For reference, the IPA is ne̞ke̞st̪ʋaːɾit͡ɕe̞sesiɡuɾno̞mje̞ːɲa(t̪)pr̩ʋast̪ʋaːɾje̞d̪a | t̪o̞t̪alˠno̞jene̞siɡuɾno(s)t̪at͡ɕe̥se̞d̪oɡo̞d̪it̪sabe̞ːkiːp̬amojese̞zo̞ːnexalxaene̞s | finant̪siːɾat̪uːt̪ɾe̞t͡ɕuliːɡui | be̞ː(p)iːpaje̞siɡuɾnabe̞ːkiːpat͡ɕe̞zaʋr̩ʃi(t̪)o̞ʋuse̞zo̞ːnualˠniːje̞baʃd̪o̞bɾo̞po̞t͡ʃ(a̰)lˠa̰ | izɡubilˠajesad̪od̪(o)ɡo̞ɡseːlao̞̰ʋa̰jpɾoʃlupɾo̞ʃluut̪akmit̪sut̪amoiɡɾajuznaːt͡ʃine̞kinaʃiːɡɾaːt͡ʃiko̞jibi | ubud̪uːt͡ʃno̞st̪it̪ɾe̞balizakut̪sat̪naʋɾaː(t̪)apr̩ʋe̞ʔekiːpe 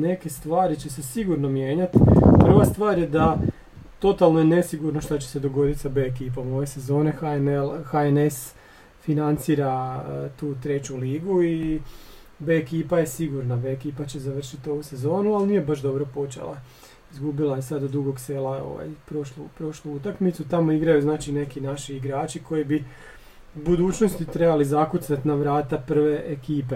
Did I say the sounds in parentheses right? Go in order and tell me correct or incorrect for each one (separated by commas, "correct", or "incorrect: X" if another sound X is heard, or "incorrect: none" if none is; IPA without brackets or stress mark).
correct, incorrect: ʃ, incorrect: k, correct, incorrect: ḛ, incorrect: u, correct